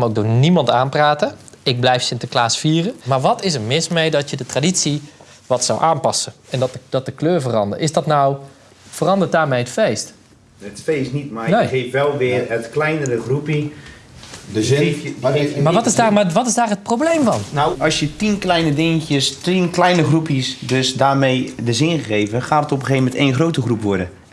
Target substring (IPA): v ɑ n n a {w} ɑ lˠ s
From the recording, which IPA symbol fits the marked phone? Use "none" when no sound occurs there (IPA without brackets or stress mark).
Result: w